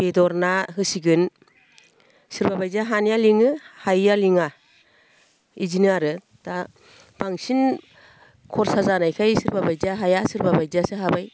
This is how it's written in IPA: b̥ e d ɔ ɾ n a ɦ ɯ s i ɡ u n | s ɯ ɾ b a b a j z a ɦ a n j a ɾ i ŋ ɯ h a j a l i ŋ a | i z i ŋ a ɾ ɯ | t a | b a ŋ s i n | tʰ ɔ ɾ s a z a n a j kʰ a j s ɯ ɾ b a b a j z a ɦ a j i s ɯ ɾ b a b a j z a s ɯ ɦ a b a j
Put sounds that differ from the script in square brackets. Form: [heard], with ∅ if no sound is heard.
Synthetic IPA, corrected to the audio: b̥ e d ɔ ɾ n a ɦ ɯ s i ɡ [ɯ] n | s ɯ ɾ b a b a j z a ɦ a n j a [l] i ŋ ɯ h a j a l i ŋ a | i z i [n] a ɾ ɯ | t a | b a ŋ s i n | [kʰ] ɔ ɾ s a z a n a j kʰ a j s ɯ ɾ b a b a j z a ɦ a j [a] s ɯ ɾ b a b a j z a s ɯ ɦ a b a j